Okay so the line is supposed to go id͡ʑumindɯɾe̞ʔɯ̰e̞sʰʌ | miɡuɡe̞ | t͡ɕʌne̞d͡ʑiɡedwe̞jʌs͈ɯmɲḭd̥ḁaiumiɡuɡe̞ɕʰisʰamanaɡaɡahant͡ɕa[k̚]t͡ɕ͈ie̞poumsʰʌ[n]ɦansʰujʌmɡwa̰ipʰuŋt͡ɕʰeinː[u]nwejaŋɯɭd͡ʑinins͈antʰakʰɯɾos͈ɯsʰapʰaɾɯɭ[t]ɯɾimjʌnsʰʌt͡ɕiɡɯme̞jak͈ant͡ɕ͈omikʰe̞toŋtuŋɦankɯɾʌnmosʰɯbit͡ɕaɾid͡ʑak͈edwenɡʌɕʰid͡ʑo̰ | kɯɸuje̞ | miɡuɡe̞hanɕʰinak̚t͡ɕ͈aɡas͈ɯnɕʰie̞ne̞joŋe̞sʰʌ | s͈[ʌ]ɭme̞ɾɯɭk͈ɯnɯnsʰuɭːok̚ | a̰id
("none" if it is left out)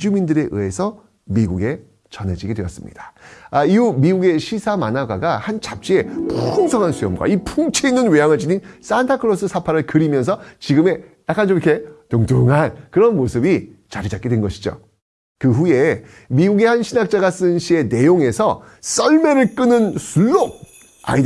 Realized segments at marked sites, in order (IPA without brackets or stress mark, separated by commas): p̚, ŋ, ɯ, k, ʌ